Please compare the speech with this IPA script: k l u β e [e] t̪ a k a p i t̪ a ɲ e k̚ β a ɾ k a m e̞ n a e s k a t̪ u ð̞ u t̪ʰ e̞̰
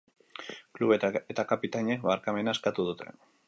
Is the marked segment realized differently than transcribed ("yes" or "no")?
no